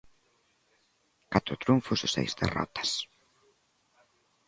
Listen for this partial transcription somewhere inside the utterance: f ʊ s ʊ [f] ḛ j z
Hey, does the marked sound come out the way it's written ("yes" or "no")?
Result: no